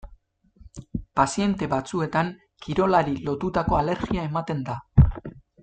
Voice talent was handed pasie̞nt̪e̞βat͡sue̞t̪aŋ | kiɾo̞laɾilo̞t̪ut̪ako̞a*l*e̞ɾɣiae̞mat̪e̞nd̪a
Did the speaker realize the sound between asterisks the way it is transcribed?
yes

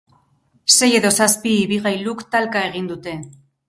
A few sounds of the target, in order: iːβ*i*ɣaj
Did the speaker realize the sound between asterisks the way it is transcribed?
yes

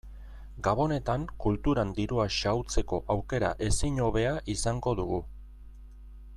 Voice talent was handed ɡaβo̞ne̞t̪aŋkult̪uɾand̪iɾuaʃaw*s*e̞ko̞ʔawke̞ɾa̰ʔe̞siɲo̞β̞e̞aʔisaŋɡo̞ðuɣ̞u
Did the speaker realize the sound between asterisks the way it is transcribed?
no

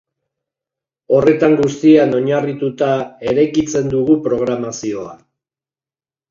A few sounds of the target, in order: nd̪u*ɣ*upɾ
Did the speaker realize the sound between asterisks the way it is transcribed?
yes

